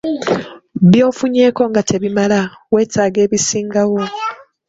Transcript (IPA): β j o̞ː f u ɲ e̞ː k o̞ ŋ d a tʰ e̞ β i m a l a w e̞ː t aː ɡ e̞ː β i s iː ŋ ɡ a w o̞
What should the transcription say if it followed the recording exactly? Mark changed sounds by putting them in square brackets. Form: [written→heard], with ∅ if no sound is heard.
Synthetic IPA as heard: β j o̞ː f u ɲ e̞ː k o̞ ŋ [d→ɡ] a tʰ e̞ β i m a l a w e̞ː t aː ɡ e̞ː β i s iː ŋ ɡ a w o̞